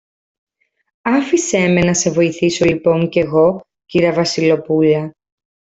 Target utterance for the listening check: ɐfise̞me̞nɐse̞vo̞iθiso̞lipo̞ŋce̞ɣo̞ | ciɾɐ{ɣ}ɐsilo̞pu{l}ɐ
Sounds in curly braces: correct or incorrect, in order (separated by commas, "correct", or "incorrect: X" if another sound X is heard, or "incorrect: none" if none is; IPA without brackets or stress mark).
incorrect: v, incorrect: ʎ